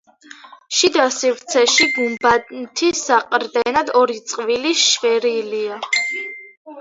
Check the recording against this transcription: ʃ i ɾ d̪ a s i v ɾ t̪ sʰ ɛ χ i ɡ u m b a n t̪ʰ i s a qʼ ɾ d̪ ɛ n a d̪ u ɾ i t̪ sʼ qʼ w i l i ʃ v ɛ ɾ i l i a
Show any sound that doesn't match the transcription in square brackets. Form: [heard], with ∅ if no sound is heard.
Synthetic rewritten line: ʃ i [∅] d̪ a s i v ɾ t̪ sʰ ɛ [ʃ] i ɡ u m b a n t̪ʰ i s a qʼ ɾ d̪ ɛ n a d̪ [ɔ] ɾ i t̪ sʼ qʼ [v] i l i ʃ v ɛ ɾ i l i a